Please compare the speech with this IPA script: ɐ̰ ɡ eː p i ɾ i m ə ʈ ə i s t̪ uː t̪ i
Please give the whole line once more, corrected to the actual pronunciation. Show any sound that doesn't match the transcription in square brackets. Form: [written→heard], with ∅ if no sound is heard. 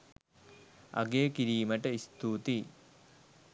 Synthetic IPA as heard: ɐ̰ ɡ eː [p→k] i ɾ [i→iː] m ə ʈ ə i s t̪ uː t̪ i